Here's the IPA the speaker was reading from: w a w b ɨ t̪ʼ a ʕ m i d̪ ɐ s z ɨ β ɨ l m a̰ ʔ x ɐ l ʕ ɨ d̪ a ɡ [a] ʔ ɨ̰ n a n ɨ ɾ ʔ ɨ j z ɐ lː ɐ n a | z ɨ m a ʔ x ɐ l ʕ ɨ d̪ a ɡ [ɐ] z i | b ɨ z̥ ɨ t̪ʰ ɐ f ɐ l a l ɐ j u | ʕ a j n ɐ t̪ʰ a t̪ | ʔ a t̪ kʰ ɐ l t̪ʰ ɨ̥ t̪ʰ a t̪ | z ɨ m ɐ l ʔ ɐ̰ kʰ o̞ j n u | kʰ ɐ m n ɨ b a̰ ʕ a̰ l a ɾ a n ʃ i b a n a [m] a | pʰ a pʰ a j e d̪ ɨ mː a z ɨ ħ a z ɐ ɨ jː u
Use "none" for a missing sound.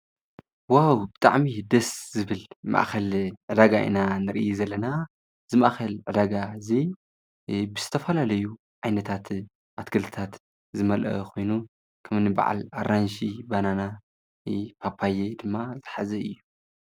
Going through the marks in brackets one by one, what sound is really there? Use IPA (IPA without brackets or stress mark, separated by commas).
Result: a, a, n